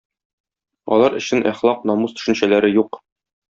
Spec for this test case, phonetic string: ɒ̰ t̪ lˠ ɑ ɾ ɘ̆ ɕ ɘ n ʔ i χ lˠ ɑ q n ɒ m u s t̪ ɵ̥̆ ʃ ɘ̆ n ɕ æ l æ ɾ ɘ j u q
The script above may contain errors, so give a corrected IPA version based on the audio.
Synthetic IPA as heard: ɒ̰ lˠ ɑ ɾ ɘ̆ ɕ ɘ n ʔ æ χ lˠ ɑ q n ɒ m u s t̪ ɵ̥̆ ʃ ɘ̆ n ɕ æ l æ ɾ ɘ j u q